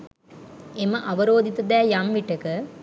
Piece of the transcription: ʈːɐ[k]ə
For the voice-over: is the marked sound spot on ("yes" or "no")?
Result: yes